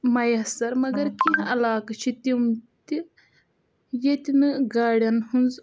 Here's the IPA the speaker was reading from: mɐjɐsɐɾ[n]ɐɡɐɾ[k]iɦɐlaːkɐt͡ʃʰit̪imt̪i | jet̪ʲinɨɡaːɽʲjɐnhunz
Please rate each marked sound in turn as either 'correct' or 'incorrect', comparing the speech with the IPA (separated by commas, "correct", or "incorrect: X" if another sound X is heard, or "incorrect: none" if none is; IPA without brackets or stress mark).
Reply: incorrect: m, correct